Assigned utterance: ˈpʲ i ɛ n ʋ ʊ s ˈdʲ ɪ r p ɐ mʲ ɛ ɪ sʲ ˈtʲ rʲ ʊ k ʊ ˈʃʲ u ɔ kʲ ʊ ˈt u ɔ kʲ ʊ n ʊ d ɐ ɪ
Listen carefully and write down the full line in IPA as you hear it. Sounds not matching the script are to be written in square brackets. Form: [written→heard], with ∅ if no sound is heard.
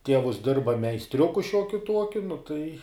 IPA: [ˈpʲ→ˈtʲ] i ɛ [n→∅] ʋ ʊ s ˈdʲ ɪ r [p→b] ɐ mʲ ɛ ɪ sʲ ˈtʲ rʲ ʊ k ʊ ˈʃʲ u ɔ kʲ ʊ ˈt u ɔ kʲ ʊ n ʊ [d→t] ɐ ɪ